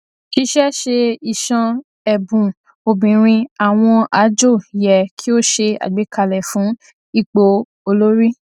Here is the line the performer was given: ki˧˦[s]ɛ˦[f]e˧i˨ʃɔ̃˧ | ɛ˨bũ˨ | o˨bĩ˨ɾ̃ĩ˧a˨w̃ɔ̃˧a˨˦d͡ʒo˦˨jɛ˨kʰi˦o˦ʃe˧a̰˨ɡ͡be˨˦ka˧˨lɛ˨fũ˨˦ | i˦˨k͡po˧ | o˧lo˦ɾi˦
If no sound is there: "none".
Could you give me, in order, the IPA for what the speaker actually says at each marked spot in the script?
ʃ, ʃ

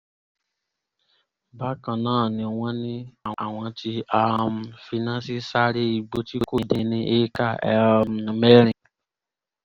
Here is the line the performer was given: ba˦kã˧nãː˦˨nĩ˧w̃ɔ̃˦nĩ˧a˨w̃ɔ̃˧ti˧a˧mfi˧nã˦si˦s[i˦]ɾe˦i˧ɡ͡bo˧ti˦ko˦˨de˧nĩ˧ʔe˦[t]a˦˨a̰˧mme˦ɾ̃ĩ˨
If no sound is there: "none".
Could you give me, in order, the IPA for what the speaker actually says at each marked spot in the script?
a˦, k

